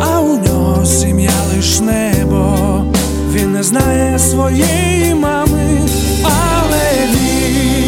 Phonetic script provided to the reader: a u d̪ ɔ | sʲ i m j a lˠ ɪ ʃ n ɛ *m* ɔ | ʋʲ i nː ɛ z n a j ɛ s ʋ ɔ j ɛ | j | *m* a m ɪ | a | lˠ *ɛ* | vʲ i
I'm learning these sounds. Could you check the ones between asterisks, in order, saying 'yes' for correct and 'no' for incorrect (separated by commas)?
no, yes, yes